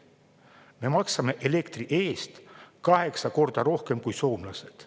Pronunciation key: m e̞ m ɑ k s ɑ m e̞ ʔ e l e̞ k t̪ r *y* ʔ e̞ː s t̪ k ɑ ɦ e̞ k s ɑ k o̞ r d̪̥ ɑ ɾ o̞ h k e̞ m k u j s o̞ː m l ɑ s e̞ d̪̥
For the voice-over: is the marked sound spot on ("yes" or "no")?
no